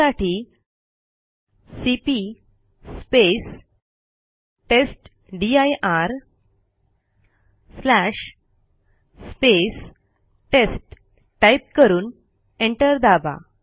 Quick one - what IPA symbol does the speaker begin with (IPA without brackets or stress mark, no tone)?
a